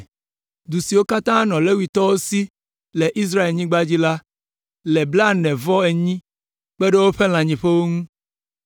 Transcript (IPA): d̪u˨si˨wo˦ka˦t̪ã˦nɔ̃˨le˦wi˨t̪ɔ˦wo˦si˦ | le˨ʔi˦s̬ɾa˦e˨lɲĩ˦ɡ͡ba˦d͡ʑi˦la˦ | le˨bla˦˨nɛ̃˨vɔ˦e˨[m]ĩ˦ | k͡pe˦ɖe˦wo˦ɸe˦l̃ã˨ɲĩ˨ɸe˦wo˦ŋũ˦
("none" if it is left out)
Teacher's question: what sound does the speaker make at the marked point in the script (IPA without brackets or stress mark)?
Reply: ɲ